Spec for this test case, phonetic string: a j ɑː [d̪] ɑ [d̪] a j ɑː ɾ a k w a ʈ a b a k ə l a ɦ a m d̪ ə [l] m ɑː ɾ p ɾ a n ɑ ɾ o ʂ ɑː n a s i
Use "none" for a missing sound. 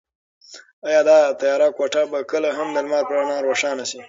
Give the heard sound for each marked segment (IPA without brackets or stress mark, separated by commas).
d̪, t̪, l